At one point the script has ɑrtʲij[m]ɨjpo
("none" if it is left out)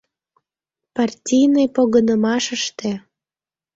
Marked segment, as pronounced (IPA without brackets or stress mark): n